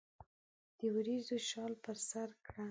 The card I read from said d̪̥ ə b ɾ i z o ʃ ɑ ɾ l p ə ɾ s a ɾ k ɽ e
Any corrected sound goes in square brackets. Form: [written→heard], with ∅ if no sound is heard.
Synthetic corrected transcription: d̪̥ ə [b→w] ɾ i z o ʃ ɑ [ɾ→∅] l p ə ɾ s a ɾ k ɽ [e→a]